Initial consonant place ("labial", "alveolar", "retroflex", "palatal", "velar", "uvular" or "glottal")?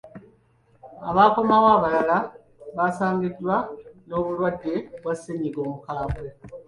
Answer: labial